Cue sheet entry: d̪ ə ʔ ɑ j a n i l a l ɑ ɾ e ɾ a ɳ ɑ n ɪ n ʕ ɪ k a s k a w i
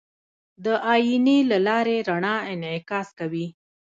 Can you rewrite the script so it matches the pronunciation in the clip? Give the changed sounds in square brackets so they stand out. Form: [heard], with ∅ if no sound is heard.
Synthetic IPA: d̪ ə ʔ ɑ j [i] n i l a l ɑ ɾ e ɾ a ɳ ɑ [∅] ɪ n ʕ ɪ k [ɑ] s k a w i